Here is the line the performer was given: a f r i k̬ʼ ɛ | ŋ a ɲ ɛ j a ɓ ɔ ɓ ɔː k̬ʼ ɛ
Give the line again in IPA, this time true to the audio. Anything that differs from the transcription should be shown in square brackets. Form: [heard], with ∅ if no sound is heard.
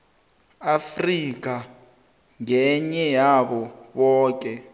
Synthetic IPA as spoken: a f r i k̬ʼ [a] | ŋ [ɛ] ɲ ɛ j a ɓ ɔ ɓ ɔː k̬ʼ ɛ